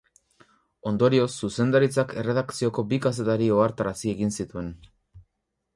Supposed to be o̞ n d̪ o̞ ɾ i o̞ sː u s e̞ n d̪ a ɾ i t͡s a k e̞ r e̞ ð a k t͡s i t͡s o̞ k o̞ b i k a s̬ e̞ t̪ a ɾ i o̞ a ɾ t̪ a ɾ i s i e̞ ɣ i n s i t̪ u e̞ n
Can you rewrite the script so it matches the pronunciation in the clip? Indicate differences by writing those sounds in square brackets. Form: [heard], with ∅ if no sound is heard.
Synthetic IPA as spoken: o̞ n d̪ o̞ ɾ i o̞ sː u s e̞ n d̪ a ɾ i t͡s a k e̞ r e̞ ð a k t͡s i [∅] o̞ k o̞ b i k a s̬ e̞ t̪ a ɾ i o̞ a ɾ t̪ a ɾ [a] s i e̞ ɣ i n s i t̪ u e̞ n